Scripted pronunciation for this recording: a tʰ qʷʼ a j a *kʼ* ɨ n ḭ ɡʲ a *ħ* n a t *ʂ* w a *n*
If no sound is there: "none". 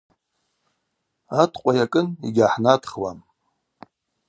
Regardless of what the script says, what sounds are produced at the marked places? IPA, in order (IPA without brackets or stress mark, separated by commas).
kʼ, ħ, χ, m